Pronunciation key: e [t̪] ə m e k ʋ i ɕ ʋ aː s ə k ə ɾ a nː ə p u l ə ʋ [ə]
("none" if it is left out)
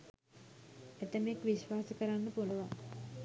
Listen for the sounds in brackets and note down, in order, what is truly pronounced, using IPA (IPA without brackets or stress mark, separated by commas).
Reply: t̪, a